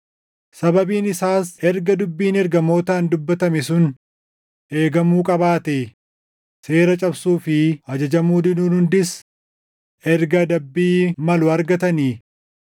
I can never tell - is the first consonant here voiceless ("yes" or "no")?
yes